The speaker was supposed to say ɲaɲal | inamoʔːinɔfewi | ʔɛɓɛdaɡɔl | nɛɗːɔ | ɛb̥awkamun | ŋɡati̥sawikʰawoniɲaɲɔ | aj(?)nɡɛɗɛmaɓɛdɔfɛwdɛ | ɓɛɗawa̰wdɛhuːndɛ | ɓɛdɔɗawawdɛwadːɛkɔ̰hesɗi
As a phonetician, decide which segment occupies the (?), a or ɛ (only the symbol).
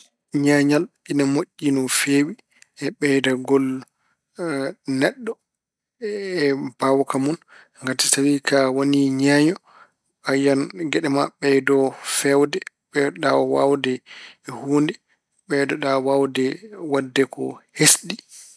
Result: a